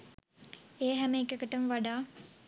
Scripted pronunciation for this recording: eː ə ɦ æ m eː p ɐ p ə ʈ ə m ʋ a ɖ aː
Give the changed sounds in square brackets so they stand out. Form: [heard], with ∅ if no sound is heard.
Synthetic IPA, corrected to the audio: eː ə ɦ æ m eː [k] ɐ [k] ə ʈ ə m ʋ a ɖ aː